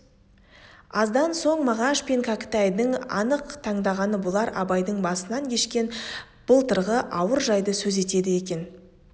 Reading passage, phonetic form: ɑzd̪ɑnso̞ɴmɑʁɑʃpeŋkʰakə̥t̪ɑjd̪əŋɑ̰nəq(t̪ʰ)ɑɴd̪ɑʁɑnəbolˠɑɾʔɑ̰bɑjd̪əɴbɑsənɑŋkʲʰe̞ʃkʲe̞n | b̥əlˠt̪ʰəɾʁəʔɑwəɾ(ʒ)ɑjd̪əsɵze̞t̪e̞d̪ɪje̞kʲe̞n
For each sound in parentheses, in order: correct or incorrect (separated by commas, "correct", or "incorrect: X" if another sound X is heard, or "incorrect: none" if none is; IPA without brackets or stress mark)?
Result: correct, correct